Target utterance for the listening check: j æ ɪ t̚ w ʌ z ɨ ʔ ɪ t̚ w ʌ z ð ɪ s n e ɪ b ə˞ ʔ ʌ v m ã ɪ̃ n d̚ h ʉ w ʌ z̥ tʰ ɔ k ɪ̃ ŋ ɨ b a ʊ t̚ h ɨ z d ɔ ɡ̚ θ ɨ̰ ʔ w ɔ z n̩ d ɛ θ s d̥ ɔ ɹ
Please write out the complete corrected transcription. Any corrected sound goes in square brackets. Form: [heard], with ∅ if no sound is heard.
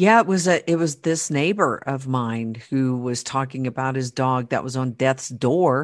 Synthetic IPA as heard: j æ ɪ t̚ w ʌ z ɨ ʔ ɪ t̚ w ʌ z ð ɪ s n e ɪ b ə˞ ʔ ʌ v m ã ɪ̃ n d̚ h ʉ w ʌ z̥ tʰ ɔ k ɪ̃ ŋ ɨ b a ʊ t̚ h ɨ z d ɔ ɡ̚ [ð] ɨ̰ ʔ w [ʌ] z n̩ d ɛ θ s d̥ ɔ ɹ